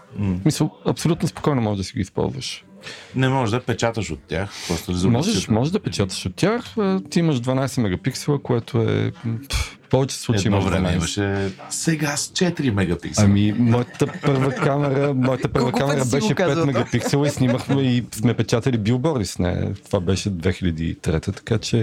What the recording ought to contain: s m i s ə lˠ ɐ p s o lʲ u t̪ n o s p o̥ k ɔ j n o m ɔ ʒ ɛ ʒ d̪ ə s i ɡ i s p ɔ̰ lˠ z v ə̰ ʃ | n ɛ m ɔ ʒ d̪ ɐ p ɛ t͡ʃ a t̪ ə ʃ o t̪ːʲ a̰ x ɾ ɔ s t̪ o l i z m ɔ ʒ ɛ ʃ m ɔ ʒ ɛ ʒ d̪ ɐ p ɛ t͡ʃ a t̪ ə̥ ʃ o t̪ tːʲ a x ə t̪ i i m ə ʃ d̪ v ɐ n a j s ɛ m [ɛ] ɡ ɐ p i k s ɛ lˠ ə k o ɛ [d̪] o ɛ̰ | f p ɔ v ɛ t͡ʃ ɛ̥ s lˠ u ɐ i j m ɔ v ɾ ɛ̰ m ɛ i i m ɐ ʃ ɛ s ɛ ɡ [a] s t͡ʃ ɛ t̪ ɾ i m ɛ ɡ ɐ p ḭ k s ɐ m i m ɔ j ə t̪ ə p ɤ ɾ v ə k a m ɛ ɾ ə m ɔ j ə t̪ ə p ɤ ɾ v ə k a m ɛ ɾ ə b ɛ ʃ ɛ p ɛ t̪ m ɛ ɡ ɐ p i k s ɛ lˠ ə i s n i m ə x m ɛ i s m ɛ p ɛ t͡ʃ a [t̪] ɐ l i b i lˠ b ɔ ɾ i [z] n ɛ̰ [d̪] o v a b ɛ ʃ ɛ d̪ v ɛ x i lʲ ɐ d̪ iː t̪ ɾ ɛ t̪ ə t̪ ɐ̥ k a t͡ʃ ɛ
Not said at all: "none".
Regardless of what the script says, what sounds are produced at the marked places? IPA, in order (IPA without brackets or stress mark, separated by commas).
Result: ɛ, t̪, a, t̪, s, t̪